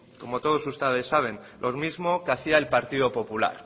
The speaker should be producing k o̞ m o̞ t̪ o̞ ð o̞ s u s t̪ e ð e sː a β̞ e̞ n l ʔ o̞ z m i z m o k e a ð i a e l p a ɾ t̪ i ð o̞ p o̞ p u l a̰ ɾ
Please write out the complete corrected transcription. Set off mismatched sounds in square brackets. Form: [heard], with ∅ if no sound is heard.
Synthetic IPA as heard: k o̞ m o̞ t̪ o̞ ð o̞ s u s t̪ e ð e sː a β̞ e̞ n l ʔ o̞ z m i z m o k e a [θ] i a e l p a ɾ t̪ i ð o̞ p o̞ p u l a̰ ɾ